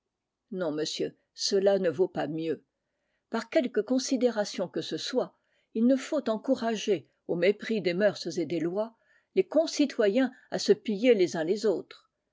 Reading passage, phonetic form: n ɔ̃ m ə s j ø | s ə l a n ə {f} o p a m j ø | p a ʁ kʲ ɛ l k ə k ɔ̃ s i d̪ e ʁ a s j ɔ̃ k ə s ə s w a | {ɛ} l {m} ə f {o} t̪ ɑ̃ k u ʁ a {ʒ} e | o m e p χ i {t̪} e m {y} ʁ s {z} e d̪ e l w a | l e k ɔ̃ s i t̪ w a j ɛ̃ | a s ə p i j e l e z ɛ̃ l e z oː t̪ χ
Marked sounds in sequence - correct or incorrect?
incorrect: v, incorrect: i, incorrect: n, correct, correct, incorrect: d̪, incorrect: œ, correct

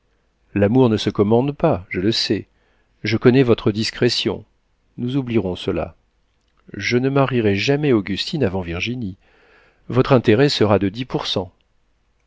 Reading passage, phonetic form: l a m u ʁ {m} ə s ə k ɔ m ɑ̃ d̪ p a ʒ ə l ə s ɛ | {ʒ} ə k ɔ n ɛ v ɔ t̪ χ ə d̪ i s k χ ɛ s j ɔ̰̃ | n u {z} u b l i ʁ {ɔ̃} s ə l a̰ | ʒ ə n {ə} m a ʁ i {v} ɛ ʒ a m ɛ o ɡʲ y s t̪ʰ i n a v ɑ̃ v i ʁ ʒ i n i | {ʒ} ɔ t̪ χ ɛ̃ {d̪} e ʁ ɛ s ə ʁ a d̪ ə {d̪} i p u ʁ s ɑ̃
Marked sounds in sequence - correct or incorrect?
incorrect: n, correct, correct, correct, correct, incorrect: ʁ, incorrect: v, incorrect: t̪, correct

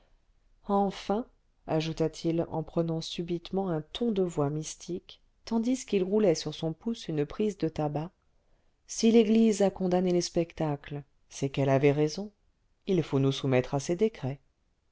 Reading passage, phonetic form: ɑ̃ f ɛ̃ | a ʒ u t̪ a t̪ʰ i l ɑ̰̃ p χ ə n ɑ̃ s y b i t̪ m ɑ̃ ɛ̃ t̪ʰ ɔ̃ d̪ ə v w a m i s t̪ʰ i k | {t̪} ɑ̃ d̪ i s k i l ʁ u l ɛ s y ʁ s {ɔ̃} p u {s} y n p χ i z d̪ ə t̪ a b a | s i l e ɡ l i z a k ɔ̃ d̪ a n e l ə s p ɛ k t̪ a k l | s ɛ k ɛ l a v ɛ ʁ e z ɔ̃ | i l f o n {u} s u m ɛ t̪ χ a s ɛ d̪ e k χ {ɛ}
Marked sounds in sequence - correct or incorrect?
correct, correct, correct, correct, correct

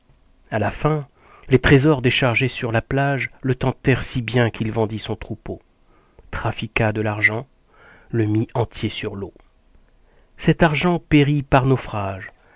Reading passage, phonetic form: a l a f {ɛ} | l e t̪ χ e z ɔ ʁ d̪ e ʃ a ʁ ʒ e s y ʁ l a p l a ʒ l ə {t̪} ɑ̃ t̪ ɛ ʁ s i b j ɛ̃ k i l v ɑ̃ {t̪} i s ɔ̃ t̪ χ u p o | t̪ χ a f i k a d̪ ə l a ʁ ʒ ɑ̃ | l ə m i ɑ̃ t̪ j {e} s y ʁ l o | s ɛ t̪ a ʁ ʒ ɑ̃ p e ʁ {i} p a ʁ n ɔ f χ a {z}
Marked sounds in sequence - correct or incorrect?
incorrect: ɛ̃, correct, incorrect: d̪, correct, correct, incorrect: ʒ

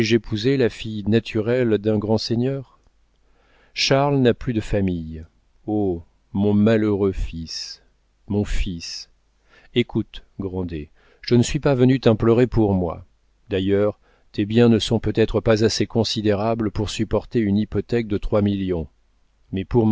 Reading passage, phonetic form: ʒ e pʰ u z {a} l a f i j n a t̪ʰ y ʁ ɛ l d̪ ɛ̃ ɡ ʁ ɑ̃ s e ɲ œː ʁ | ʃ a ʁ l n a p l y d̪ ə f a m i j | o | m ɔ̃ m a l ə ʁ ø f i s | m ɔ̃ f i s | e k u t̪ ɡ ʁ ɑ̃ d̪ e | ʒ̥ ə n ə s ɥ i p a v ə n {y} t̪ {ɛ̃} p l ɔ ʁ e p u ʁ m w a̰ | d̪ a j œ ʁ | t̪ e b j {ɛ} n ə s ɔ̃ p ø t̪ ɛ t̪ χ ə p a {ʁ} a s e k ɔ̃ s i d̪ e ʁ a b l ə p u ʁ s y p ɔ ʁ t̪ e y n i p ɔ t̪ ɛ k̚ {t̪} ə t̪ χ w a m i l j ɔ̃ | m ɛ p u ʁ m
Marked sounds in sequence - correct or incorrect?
incorrect: e, correct, correct, incorrect: ɛ̃, incorrect: z, incorrect: d̪

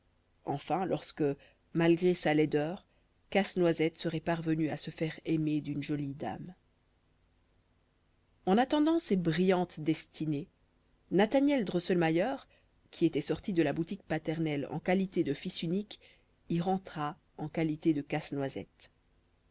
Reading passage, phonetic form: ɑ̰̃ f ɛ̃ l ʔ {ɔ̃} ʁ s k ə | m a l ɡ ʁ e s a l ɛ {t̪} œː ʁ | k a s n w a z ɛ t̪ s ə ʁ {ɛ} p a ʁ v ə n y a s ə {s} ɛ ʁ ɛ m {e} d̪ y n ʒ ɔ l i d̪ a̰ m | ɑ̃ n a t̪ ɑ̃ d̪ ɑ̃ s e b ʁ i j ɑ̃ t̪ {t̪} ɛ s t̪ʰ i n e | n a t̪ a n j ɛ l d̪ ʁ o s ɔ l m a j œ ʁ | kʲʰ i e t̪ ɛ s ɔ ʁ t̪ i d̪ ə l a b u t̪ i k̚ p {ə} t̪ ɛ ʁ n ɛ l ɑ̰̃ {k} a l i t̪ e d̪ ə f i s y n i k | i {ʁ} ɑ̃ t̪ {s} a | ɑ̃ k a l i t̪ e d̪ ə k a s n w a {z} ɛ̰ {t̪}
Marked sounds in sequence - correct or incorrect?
incorrect: ɔ, incorrect: d̪, correct, incorrect: f, correct, incorrect: d̪, incorrect: a, correct, correct, incorrect: χ, correct, correct

